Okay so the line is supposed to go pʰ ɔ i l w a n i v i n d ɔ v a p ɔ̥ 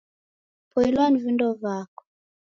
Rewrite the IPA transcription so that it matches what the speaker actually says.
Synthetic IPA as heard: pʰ ɔ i l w a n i v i n d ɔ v a k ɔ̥